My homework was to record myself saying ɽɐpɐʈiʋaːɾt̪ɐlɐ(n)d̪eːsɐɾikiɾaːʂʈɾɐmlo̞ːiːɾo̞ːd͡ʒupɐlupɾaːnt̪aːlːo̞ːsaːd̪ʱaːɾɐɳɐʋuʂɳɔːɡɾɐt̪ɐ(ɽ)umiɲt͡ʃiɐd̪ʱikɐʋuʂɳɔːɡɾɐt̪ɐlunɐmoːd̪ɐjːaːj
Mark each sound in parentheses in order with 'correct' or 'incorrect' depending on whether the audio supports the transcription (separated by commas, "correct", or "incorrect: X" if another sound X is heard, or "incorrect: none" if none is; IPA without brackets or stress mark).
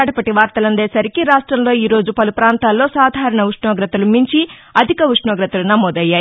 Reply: correct, incorrect: l